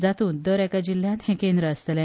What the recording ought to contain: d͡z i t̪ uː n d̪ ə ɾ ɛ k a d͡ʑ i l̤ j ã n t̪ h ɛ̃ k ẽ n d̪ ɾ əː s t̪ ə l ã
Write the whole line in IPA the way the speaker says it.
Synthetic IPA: d͡z a t̪ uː n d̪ ə ɾ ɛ k a d͡ʑ i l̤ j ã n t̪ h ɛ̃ k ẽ n d̪ ɾ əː s t̪ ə l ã